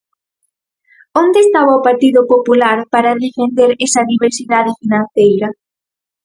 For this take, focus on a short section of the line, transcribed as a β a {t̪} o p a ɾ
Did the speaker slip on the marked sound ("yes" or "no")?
yes